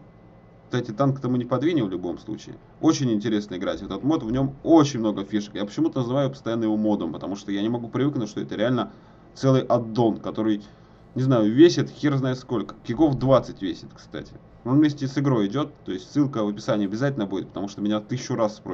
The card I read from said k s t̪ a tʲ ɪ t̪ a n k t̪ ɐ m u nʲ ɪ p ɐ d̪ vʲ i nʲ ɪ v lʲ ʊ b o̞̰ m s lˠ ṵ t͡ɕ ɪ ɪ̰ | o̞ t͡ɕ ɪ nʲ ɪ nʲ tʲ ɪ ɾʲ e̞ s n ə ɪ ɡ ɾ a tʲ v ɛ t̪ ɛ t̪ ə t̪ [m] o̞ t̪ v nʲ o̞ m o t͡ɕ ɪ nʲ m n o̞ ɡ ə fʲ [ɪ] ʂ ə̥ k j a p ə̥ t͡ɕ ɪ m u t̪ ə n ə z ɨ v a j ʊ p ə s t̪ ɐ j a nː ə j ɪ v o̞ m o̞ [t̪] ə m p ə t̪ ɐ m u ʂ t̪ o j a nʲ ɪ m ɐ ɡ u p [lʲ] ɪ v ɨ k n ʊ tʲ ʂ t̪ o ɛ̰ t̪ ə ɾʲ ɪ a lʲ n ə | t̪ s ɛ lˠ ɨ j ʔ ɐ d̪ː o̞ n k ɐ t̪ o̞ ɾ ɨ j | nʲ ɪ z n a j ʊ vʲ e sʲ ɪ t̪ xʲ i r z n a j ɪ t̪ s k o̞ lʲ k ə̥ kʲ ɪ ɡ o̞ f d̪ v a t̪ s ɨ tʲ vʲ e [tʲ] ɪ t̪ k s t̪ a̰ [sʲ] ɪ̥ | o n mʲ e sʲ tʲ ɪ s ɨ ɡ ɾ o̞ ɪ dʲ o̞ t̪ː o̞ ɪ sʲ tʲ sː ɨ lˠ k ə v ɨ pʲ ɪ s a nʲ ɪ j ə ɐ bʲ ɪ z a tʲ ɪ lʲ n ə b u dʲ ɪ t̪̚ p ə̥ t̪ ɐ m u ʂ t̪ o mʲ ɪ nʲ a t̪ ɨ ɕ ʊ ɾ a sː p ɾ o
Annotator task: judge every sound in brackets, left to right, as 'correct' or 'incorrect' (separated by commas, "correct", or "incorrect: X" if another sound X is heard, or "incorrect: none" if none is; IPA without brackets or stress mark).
correct, incorrect: i, incorrect: d̪, incorrect: ɾʲ, incorrect: sʲ, incorrect: tʲ